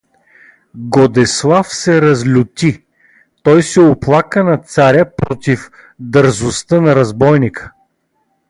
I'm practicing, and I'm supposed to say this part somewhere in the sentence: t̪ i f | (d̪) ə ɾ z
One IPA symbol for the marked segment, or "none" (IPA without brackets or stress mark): d̪